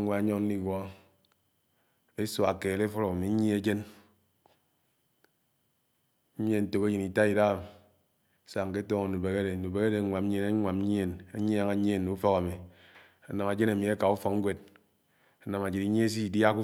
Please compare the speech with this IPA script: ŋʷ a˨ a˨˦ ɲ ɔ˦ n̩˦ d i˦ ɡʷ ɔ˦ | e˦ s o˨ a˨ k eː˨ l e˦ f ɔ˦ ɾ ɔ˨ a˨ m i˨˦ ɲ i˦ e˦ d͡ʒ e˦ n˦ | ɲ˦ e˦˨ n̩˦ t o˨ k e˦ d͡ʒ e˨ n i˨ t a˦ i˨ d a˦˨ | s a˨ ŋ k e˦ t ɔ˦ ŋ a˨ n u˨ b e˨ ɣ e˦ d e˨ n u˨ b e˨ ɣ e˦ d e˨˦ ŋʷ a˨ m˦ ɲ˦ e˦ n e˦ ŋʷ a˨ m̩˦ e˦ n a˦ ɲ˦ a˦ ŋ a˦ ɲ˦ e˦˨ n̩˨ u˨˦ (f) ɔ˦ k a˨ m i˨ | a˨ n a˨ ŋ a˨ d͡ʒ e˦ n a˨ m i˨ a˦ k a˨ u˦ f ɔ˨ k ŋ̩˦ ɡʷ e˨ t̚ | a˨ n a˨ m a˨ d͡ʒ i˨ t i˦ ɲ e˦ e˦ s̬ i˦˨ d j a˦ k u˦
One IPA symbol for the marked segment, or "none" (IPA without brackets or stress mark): f